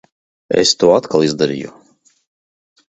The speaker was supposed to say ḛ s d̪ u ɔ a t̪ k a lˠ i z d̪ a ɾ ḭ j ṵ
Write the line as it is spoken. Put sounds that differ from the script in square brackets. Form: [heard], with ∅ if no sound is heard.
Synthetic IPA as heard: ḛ s [t̪] u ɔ a t̪ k a lˠ i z d̪ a ɾ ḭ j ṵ